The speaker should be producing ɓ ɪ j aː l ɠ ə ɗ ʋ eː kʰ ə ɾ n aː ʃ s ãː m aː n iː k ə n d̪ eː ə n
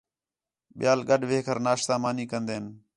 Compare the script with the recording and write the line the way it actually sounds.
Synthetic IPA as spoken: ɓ ɪ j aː l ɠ ə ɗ ʋ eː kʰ ə ɾ n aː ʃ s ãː m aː n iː k ə n d̪ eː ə n